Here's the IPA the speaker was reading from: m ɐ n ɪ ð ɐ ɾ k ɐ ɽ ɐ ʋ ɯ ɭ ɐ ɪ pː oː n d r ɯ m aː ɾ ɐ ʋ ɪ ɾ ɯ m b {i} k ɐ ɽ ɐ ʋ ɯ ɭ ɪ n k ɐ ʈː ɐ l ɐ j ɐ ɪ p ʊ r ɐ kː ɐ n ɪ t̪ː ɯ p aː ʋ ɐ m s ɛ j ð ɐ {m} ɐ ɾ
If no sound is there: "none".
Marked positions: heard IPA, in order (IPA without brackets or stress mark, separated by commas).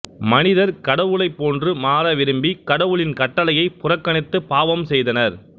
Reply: i, n